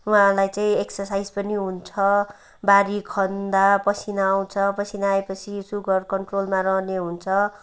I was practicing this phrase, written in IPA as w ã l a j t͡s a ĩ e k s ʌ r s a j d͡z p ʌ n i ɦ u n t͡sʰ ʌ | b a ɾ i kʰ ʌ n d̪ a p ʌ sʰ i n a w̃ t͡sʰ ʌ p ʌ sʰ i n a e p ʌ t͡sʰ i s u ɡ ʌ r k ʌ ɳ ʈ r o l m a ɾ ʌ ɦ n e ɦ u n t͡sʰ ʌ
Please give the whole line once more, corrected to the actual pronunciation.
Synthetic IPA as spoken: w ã l a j t͡s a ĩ e k s ʌ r s a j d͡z p ʌ n i ɦ u n t͡sʰ ʌ | b a ɾ i kʰ ʌ n d̪ a p ʌ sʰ i n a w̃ t͡sʰ ʌ p ʌ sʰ i n a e p ʌ t͡sʰ i s u ɡ ʌ r k ʌ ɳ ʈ r o l m a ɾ ʌ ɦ n e ɦ u n t͡sʰ ʌ

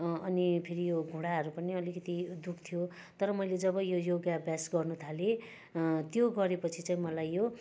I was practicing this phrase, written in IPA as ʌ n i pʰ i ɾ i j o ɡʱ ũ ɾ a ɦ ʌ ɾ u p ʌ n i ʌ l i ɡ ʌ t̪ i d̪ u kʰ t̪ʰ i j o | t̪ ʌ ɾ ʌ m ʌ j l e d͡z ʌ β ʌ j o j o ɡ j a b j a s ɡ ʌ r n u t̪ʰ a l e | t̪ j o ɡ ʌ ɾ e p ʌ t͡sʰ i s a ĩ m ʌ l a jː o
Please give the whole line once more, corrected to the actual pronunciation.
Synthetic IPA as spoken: ʌ n i pʰ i ɾ i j o ɡʱ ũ ɽ a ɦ ʌ ɾ u p ʌ n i ʌ l i k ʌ t̪ i d̪ u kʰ t̪ʰ i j o | t̪ ʌ ɾ ʌ m ʌ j l e d͡z ʌ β ʌ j o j o ɡ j a b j a s ɡ ʌ r n u t̪ʰ a l e | t̪ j o ɡ ʌ ɾ e p ʌ t͡sʰ i t͡s a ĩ m ʌ l a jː o

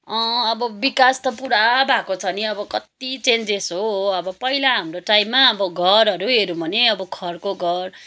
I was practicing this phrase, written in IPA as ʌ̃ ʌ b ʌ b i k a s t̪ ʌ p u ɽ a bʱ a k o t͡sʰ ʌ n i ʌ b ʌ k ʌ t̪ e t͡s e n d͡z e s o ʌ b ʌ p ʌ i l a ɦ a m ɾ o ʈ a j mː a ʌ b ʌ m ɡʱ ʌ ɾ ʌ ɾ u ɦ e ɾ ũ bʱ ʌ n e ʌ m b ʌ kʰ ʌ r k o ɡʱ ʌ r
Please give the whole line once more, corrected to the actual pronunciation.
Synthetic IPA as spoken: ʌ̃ ʌ b ʌ b i k a s t̪ ʌ p u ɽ a bʱ a k o t͡sʰ ʌ n i ʌ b ʌ k ʌ t̪ i t͡s e n d͡z e s o ʌ b ʌ p ʌ i l a ɦ a m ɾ o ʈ a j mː a ʌ b ʌ ɡʱ ʌ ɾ ʌ ɾ u ɦ e ɾ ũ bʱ ʌ n e ʌ b ʌ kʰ ʌ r k o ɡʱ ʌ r

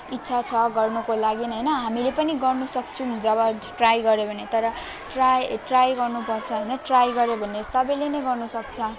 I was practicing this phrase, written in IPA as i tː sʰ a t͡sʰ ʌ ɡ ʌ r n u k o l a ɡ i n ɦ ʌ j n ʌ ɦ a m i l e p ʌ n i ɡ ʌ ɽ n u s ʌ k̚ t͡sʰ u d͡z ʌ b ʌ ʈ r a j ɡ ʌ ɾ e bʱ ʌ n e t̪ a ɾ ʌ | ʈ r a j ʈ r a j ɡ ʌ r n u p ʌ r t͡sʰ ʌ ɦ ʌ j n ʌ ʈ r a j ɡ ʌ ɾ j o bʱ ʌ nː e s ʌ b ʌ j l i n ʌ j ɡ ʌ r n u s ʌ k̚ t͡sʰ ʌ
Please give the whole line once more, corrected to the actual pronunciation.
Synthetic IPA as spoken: i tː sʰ a t͡sʰ ʌ ɡ ʌ r n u k o l a ɡ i n ɦ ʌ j n ʌ ɦ a m i l e p ʌ n i ɡ ʌ r n u s ʌ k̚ t͡sʰ u d͡z ʌ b ʌ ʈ r a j ɡ ʌ ɾ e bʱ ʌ n e t̪ ʌ ɾ ʌ | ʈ r a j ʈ r a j ɡ ʌ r n u p ʌ r t͡sʰ ʌ ɦ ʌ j n ʌ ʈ r a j ɡ ʌ ɾ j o bʱ ʌ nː e s ʌ b ʌ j l e n ʌ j ɡ ʌ r n u s ʌ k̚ t͡sʰ ʌ

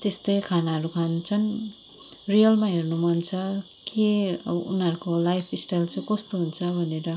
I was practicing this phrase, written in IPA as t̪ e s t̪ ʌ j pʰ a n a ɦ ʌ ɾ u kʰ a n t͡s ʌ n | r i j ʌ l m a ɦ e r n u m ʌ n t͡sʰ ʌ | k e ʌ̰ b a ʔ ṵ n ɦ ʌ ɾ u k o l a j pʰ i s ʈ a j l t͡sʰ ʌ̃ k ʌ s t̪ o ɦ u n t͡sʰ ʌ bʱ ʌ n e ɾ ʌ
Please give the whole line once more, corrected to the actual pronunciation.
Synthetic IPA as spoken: t̪ e s t̪ ʌ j kʰ a n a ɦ ʌ ɾ u kʰ a n t͡sʰ ʌ n | r i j ʌ l m a ɦ e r n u m ʌ n t͡sʰ ʌ | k e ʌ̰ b ʌ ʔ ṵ n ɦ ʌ ɾ u k o l a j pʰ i s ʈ a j l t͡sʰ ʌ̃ k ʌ s t̪ o ɦ u n t͡sʰ ʌ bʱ ʌ n e ɾ ʌ

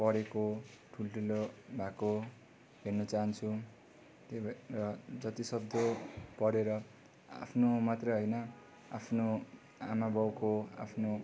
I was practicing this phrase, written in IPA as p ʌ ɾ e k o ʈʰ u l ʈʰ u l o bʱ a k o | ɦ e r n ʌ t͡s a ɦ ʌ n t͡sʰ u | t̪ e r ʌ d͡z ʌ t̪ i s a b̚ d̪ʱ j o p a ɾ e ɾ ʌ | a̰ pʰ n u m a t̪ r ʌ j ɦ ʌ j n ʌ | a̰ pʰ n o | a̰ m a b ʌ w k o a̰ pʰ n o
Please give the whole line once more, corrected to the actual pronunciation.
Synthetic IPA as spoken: p ʌ ɾ e k o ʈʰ u l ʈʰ u l o bʱ a k o | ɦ e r n ʌ t͡s a ɦ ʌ n t͡sʰ u | t̪ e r ʌ d͡z ʌ t̪ i s ʌ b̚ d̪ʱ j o p ʌ ɾ e ɾ ʌ | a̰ pʰ n o m a t̪ r ʌ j ɦ ʌ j n ʌ | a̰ pʰ n o | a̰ m a b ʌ w k o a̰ pʰ n o

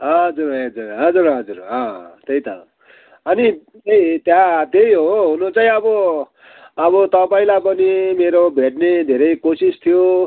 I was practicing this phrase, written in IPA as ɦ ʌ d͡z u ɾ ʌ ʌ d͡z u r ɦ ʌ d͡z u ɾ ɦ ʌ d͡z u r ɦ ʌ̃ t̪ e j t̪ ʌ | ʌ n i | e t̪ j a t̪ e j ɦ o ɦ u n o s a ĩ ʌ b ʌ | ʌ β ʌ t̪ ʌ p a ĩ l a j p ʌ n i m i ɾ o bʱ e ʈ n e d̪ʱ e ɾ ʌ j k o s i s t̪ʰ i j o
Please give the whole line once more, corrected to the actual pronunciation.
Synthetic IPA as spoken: ɦ ʌ d͡z u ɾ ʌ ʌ d͡z u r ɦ ʌ d͡z u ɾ ɦ ʌ d͡z u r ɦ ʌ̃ t̪ e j t̪ ʌ | ʌ n i | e t̪ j a t̪ e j ɦ o ɦ u n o t͡s a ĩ ʌ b ʌ | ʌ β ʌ t̪ ʌ p a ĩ l a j p ʌ n i m e ɾ o bʱ e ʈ n e d̪ʱ e ɾ ʌ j k o s i s t̪ʰ i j o

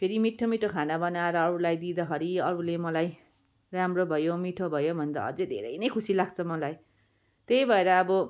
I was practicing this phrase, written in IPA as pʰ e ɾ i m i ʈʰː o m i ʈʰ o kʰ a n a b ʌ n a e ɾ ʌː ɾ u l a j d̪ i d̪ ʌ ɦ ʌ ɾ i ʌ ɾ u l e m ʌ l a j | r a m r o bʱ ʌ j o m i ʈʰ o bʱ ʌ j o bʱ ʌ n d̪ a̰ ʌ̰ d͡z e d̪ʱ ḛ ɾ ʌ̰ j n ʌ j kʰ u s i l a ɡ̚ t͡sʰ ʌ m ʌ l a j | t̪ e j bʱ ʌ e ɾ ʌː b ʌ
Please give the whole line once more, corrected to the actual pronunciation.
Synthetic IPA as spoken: pʰ e ɾ i m i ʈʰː o m i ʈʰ o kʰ a n a b ʌ n a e ɾ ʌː ɾ u l a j d̪ i d̪ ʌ ɦ ʌ ɾ i ʌ ɾ u l e m ʌ l a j | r a m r o bʱ ʌ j o m i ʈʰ o bʱ ʌ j o bʱ ʌ n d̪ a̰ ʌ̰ d͡z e d̪ʱ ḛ ɾ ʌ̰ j n ʌ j kʰ u s i l a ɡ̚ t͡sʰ ʌ m ʌ l a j | t̪ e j bʱ ʌ e ɾ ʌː b ʌ

